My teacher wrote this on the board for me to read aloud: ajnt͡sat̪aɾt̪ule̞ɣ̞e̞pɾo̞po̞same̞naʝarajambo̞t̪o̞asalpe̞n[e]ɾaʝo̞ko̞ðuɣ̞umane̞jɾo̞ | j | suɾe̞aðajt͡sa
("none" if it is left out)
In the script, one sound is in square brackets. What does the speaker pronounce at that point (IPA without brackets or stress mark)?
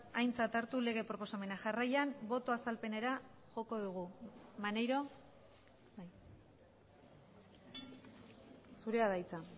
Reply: e